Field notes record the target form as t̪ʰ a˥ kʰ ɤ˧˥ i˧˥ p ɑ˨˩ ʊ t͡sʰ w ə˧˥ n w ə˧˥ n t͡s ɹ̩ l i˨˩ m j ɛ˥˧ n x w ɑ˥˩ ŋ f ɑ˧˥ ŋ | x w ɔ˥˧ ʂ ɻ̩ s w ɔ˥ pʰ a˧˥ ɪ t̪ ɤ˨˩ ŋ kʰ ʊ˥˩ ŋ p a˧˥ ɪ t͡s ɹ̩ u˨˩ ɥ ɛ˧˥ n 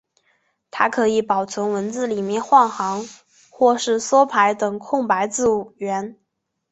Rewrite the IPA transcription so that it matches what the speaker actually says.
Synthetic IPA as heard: t̪ʰ a˥ kʰ ɤ˧˥ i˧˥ p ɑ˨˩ ʊ t͡sʰ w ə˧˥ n w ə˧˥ n t͡s ɹ̩ l i˨˩ m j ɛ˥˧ n x w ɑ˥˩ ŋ x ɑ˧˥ ŋ | x w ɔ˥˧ ʂ ɻ̩ s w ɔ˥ pʰ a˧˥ ɪ t̪ ɤ˨˩ ŋ kʰ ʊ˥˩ ŋ p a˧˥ ɪ t͡s ɹ̩ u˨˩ ɥ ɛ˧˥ n